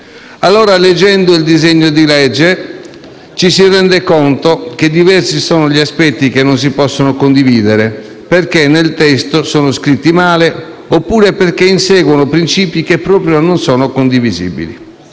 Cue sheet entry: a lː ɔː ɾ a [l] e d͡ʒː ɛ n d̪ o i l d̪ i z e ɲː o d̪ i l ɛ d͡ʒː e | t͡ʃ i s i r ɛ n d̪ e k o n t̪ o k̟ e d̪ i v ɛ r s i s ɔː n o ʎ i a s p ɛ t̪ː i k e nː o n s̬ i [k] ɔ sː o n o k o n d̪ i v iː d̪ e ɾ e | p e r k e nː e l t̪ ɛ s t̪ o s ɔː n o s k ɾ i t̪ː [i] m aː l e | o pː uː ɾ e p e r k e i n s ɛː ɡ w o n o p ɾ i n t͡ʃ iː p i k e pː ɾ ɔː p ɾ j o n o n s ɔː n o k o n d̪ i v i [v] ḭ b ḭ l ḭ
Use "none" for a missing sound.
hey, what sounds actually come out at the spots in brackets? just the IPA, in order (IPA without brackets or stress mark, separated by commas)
l, p, i, z